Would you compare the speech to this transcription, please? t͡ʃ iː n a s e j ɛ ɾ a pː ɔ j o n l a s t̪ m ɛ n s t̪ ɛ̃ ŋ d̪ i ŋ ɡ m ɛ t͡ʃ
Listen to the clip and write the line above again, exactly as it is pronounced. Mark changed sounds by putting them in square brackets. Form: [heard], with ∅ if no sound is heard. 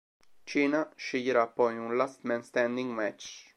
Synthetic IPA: t͡ʃ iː n a [ʃ] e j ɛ ɾ a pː ɔ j [u] n l a s t̪ m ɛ n s t̪ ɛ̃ [n] d̪ i ŋ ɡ m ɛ t͡ʃ